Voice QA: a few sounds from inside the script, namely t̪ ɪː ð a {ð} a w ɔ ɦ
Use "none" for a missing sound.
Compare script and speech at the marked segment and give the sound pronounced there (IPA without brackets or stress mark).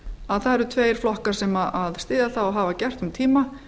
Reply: θ